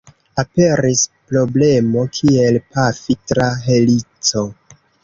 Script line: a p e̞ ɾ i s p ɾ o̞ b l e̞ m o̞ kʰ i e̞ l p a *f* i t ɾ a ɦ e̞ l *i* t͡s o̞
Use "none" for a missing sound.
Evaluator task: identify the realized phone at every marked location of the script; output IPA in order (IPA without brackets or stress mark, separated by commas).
f, i